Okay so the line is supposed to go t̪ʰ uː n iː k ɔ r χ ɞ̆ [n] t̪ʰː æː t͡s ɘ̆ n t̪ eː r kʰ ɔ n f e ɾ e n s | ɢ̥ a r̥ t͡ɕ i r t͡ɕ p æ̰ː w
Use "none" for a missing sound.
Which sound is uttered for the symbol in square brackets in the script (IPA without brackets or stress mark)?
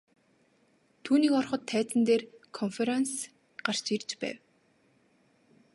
none